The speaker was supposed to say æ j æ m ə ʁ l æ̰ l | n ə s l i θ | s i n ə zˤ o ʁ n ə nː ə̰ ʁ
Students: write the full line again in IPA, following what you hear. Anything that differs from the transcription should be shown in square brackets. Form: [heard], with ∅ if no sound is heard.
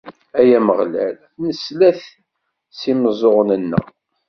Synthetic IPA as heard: æ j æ m ə ʁ l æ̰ l | n ə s l [æ] θ | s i [m] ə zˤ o ʁ n ə nː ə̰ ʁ